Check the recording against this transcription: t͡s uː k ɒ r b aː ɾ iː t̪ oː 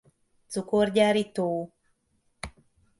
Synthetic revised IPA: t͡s u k o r ɟ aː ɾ i t̪ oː